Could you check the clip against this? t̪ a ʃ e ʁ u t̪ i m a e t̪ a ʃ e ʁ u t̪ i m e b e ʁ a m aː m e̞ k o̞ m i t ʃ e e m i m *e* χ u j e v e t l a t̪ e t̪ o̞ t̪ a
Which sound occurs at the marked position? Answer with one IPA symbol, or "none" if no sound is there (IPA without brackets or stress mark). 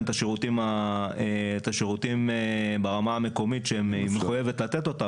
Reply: e